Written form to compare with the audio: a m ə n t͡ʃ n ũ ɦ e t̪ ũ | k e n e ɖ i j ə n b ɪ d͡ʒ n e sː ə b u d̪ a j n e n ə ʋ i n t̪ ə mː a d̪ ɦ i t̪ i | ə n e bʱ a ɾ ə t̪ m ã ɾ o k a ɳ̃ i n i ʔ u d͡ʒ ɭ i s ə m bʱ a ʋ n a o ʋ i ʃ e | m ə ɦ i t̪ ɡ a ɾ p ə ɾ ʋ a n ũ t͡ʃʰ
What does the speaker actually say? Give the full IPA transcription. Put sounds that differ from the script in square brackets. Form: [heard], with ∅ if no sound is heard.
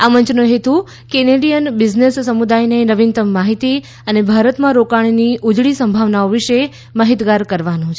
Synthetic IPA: a m ə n t͡ʃ n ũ ɦ e t̪ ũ | k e n e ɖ i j ə n b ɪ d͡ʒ n e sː ə [m] u d̪ a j n e n ə ʋ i n t̪ ə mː a [∅] ɦ i t̪ i | ə n e bʱ a ɾ ə t̪ m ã ɾ o k a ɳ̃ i n i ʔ u d͡ʒ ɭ i s ə m bʱ a ʋ n a o ʋ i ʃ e | m ə ɦ i t̪ ɡ a ɾ [k] ə ɾ ʋ a n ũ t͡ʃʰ